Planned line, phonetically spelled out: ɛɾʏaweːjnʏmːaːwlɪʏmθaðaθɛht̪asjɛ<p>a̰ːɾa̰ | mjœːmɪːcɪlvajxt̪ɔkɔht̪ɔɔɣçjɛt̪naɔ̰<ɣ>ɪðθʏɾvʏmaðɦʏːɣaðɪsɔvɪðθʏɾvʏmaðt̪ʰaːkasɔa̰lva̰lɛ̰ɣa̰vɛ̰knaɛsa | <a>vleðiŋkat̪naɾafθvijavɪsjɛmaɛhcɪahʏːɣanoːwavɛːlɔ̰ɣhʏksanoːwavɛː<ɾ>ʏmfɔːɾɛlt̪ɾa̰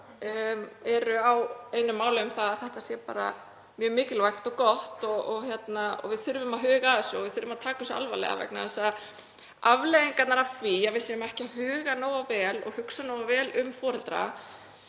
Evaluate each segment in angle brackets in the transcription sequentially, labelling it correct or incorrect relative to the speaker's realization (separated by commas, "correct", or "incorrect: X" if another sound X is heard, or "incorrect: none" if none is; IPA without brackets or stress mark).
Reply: correct, incorrect: v, correct, incorrect: l